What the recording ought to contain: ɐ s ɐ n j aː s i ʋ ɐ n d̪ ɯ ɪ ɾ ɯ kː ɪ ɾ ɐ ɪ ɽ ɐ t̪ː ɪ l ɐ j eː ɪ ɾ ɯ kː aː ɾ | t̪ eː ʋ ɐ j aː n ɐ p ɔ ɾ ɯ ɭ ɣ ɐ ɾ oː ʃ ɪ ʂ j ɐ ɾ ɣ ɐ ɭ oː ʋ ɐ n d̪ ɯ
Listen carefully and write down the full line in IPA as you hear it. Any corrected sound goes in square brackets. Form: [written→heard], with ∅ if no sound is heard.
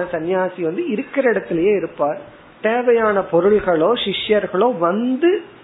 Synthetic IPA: ɐ s ɐ n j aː s i ʋ ɐ n d̪ ɯ ɪ ɾ ɯ kː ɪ ɾ ɐ ɪ ɽ ɐ t̪ː ɪ l ɐ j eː ɪ ɾ ɯ [kː→pː] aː ɾ | t̪ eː ʋ ɐ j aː n ɐ p ɔ ɾ ɯ ɭ ɣ ɐ [ɾ→ɭ] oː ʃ ɪ ʂ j ɐ ɾ ɣ ɐ ɭ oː ʋ ɐ n d̪ ɯ